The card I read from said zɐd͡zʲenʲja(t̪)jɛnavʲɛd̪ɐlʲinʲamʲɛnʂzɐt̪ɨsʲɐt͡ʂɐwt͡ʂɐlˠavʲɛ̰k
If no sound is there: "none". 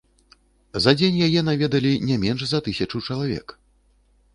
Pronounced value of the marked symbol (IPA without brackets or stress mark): none